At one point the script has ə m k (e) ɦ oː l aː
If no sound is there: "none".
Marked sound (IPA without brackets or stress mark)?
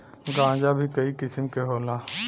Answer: e